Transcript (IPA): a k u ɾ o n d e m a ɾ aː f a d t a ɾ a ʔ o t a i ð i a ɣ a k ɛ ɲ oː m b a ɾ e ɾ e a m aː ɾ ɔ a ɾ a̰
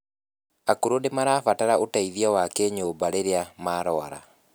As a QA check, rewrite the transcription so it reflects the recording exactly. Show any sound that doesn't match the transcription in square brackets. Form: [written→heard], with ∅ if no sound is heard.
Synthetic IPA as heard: a k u ɾ o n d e m a ɾ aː f a [d→∅] t a ɾ a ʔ o t a i ð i a [ɣ→w] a k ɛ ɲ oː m b a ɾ e ɾ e a m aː ɾ ɔ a ɾ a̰